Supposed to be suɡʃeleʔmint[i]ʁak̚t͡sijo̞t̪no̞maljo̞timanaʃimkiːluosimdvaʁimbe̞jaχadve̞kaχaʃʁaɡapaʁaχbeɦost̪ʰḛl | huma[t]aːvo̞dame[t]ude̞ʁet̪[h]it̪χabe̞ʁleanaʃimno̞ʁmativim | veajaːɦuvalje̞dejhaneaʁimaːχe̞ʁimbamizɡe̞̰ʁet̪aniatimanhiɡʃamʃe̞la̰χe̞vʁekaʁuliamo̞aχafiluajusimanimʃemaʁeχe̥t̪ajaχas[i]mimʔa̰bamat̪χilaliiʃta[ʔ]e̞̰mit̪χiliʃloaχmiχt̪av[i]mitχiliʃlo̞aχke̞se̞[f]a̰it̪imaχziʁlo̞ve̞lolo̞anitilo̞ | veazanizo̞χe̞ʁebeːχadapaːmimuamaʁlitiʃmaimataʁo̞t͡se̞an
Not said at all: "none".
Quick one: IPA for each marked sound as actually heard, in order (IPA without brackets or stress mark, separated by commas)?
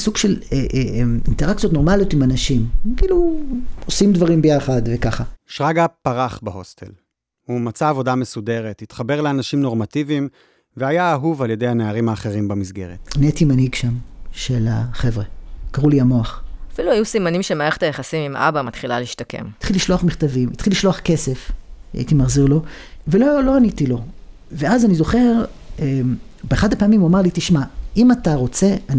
e, t͡s, s, h, i, k, i, f